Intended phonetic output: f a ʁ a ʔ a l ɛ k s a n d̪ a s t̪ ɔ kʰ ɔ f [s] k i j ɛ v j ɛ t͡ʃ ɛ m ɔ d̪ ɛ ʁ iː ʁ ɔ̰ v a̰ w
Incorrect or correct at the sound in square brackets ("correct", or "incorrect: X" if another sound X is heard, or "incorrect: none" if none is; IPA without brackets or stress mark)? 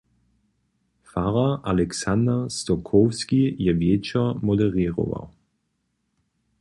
correct